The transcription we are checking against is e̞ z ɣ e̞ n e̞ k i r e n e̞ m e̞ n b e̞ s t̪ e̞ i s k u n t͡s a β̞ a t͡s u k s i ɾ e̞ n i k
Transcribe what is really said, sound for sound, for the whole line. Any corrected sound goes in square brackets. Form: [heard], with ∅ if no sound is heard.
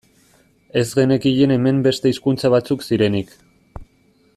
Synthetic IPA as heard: e̞ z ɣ e̞ n e̞ k i [ʎ] e n e̞ m e̞ [m] b e̞ s t̪ e̞ i s k u n t͡s a β̞ a t͡s u k s i ɾ e̞ n i k

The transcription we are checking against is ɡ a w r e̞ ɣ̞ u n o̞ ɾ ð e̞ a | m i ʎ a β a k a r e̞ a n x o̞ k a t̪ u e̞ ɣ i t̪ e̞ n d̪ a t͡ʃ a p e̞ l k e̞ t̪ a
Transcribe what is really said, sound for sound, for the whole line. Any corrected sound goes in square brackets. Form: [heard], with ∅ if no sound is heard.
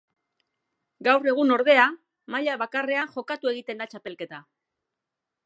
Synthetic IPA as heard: ɡ a w r e̞ ɣ̞ u n o̞ ɾ ð e̞ a | m [a] ʎ a β a k a r e̞ a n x o̞ k a t̪ u e̞ ɣ i t̪ e̞ n d̪ a t͡ʃ a p e̞ l k e̞ t̪ a

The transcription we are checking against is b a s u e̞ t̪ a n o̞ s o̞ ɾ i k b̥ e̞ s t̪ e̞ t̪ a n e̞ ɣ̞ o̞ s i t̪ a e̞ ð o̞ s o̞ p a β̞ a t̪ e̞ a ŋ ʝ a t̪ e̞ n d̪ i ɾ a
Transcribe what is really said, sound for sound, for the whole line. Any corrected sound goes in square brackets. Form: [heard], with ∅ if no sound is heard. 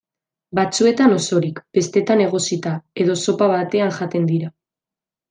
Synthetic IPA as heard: b a [t͡s] u e̞ t̪ a n o̞ s o̞ ɾ i k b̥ e̞ s t̪ e̞ t̪ a n e̞ ɣ̞ o̞ s i t̪ a e̞ ð o̞ s o̞ p a β̞ a t̪ e̞ a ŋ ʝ a t̪ e̞ n d̪ i ɾ a

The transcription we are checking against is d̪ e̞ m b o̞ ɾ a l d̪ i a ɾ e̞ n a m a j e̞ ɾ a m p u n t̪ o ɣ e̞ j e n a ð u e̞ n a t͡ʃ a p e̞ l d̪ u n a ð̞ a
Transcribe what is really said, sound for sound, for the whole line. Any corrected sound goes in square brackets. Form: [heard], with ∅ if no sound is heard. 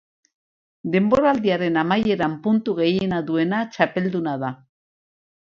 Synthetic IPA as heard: d̪ e̞ m b o̞ ɾ a l d̪ i a ɾ e̞ n a m a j e̞ ɾ a m p u n t̪ [u] ɣ e̞ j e n a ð u e̞ n a t͡ʃ a p e̞ l d̪ u n a ð̞ a

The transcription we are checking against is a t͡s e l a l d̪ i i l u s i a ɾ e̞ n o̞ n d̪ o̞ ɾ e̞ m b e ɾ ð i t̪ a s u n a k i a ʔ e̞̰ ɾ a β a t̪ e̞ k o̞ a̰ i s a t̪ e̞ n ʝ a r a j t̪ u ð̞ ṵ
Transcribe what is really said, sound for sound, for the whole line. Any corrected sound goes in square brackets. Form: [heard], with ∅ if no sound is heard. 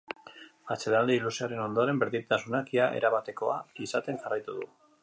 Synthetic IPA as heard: a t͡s e l a l d̪ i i l u s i a ɾ e̞ n o̞ n d̪ o̞ ɾ e̞ m b e ɾ ð i t̪ a s u n a k i a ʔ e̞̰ ɾ a β a t̪ e̞ k o̞ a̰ i s a t̪ e̞ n ʝ a r a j t̪ u ð̞ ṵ

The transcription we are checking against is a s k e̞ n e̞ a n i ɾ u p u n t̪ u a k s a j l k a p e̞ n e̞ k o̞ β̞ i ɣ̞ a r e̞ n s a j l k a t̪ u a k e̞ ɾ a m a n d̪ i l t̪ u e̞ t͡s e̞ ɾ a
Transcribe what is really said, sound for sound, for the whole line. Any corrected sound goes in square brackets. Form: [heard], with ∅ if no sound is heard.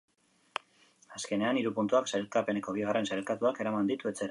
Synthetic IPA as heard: a s k e̞ n e̞ a n i ɾ u p u n t̪ u a k s a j l k a p e̞ n e̞ k o̞ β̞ i ɣ̞ a r e̞ n s a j l k a t̪ u a k e̞ ɾ a m a n d̪ i [∅] t̪ u e̞ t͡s e̞ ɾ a

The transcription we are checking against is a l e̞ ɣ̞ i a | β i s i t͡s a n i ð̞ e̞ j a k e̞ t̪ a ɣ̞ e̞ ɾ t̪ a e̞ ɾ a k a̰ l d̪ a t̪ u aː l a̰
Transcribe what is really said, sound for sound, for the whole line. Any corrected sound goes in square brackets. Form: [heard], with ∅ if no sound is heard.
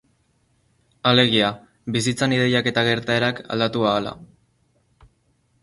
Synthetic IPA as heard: a l e̞ ɣ̞ i a | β i s i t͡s a n i ð̞ e̞ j a k e̞ t̪ a ɣ̞ e̞ ɾ t̪ a e̞ ɾ a k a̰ l d̪ a t̪ u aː l a̰

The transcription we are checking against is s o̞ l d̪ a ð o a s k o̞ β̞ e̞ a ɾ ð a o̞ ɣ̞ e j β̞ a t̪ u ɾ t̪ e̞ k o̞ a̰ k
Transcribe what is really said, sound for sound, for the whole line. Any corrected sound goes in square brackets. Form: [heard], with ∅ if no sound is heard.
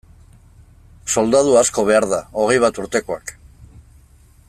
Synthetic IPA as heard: s o̞ l d̪ a ð [u] a s k o̞ β̞ e̞ a ɾ ð a o̞ ɣ̞ e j β̞ a t̪ u ɾ t̪ e̞ k o̞ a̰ k

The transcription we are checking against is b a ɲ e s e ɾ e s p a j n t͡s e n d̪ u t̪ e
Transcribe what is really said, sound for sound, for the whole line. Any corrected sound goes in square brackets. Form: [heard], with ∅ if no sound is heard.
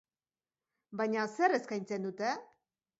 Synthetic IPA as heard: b a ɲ [a] s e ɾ e s [k] a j n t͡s e n d̪ u t̪ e

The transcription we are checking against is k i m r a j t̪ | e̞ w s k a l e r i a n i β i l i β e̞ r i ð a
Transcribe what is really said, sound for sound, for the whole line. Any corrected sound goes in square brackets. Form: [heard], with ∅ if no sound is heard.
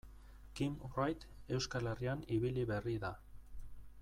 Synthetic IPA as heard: k i m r a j t̪ | e̞ w s k a l e r i a n i β i l i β e̞ r i ð a

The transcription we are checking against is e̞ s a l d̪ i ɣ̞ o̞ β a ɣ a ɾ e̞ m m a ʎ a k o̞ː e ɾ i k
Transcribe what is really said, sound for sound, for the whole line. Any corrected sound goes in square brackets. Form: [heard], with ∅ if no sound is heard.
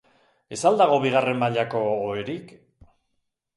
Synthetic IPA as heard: e̞ s a l d̪ [a] ɣ̞ o̞ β [i] ɣ a [r] e̞ m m a ʎ a k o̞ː e ɾ i k

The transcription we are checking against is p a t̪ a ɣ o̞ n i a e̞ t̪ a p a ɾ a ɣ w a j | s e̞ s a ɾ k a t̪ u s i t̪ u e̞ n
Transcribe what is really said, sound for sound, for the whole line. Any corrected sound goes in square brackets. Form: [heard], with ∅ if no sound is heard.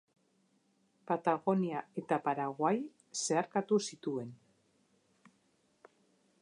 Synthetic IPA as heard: p a t̪ a ɣ o̞ n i a e̞ t̪ a p a ɾ a ɣ w a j | s e̞ [∅] a ɾ k a t̪ u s i t̪ u e̞ n

